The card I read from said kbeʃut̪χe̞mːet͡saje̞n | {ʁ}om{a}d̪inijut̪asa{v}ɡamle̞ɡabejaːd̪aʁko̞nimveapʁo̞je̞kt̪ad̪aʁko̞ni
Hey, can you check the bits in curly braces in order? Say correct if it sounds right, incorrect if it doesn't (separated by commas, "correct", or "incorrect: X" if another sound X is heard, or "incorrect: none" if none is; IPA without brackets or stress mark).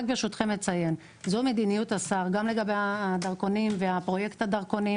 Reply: incorrect: z, incorrect: e, incorrect: ʁ